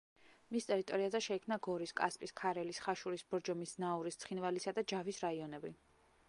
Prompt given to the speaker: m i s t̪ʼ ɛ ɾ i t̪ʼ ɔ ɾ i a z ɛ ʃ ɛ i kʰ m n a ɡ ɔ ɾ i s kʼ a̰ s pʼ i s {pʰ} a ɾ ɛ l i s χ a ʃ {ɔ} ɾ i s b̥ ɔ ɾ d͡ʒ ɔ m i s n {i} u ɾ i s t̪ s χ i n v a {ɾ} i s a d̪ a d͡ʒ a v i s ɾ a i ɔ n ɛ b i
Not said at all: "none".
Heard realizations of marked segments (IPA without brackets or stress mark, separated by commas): kʰ, u, a, l